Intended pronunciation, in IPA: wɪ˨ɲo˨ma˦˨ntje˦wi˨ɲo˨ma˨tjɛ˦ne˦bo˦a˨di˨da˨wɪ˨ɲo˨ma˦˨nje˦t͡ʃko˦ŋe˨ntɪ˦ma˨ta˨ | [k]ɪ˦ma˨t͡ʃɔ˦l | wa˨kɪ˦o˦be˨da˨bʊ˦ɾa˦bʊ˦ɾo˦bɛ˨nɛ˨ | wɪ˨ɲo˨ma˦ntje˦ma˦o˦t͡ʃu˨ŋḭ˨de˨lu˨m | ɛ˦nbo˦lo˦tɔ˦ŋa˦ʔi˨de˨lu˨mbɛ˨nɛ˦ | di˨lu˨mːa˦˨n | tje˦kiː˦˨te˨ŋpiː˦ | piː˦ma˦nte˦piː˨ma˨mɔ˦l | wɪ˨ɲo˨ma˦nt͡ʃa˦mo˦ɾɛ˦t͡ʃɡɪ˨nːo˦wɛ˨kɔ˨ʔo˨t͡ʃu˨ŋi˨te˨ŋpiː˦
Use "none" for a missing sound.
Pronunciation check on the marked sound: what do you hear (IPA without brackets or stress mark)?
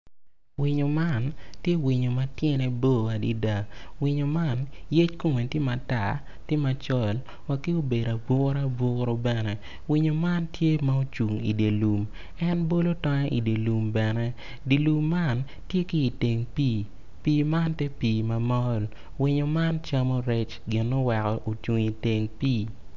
t